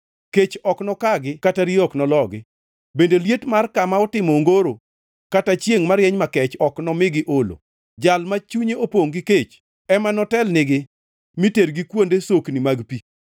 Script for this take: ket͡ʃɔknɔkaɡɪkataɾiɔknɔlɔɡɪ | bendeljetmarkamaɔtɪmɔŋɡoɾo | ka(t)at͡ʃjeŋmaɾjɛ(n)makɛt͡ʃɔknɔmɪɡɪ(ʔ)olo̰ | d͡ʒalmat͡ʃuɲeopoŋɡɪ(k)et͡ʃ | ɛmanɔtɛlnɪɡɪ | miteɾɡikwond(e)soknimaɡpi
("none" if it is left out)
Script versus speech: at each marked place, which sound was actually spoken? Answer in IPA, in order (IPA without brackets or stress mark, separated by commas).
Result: t, ɲ, ʔ, k, e